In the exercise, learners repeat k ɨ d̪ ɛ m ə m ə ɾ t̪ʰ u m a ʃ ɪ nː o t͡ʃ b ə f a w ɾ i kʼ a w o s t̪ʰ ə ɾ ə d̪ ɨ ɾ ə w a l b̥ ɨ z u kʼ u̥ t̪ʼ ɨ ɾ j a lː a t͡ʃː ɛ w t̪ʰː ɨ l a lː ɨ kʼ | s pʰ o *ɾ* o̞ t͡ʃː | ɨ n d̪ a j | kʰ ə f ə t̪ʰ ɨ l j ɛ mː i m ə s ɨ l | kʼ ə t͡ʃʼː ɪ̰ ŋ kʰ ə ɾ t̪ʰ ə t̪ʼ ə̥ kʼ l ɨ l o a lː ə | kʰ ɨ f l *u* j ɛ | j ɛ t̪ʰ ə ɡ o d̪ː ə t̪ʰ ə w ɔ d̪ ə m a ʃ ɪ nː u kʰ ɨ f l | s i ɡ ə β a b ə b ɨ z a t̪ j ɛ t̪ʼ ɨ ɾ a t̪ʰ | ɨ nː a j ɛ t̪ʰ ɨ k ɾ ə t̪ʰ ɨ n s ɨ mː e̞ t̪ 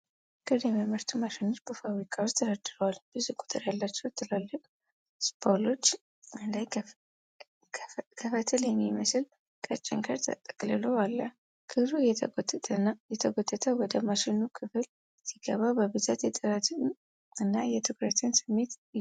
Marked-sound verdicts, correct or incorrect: incorrect: l, correct

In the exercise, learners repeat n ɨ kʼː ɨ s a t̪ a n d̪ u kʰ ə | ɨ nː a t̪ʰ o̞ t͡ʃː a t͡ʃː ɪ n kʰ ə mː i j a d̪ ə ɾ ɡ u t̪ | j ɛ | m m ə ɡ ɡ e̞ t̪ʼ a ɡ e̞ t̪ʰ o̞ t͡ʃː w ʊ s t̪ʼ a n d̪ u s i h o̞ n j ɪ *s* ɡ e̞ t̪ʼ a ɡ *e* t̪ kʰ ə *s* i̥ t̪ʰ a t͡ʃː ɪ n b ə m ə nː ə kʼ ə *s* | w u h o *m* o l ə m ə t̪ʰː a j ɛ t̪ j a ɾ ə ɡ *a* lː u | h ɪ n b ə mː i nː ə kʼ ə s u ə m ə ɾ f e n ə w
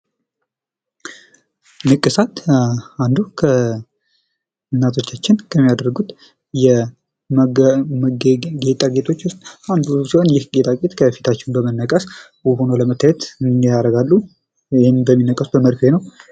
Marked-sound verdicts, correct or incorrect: incorrect: h, correct, incorrect: f, correct, incorrect: n, correct

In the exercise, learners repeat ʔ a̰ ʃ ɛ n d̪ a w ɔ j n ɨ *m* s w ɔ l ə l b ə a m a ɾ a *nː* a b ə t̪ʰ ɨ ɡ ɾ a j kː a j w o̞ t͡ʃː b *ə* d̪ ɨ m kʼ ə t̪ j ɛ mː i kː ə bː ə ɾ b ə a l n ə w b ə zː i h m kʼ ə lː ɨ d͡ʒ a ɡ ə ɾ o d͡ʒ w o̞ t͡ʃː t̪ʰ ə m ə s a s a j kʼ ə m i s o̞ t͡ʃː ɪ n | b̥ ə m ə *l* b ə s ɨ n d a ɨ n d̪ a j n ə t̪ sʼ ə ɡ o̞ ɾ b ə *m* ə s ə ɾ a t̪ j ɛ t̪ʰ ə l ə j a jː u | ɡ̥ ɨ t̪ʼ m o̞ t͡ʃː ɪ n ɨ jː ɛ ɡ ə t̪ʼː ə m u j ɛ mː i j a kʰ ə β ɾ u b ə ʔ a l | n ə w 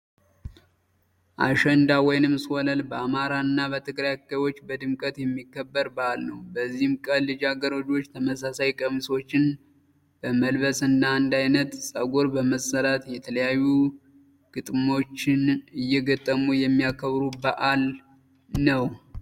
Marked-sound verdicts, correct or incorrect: correct, correct, correct, correct, correct

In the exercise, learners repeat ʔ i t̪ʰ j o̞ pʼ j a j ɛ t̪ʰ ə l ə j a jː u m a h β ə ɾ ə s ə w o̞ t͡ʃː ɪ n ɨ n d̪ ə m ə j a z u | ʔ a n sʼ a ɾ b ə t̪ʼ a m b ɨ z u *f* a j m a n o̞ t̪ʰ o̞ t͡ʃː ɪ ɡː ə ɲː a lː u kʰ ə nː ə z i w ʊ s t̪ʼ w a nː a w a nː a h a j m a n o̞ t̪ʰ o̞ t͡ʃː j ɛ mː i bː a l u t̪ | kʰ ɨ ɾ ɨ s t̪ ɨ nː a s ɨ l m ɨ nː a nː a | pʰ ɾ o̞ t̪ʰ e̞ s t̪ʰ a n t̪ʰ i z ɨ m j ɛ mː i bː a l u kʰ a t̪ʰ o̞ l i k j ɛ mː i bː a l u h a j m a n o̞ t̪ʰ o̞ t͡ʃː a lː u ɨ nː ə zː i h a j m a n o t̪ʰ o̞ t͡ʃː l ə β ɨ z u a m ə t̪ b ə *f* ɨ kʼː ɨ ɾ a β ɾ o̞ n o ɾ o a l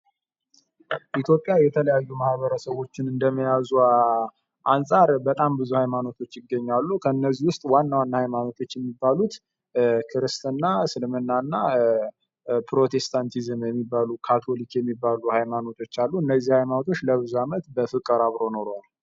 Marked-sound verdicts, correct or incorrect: incorrect: h, correct

